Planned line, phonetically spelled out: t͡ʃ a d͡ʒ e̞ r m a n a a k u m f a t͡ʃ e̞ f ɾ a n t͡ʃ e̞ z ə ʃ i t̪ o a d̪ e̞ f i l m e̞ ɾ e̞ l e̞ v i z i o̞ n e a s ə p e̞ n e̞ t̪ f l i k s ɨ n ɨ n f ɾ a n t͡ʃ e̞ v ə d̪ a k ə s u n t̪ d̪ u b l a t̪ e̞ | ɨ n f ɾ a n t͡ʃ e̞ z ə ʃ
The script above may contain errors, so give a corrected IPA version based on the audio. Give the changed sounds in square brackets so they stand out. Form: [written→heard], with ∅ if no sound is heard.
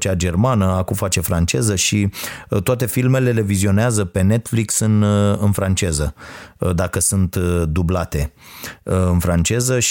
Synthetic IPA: t͡ʃ a d͡ʒ e̞ r m a n [a→ə] a k u m f a t͡ʃ e̞ f ɾ a n t͡ʃ e̞ z ə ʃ i t̪ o a [d̪→t̪] e̞ f i l m e̞ [ɾ→l] e̞ l e̞ v i z i o̞ n e a [s→z] ə p e̞ n e̞ t̪ f l i k s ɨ n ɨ n f ɾ a n t͡ʃ e̞ [v→z] ə d̪ a k ə s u n t̪ d̪ u b l a t̪ e̞ | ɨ n f ɾ a n t͡ʃ e̞ z ə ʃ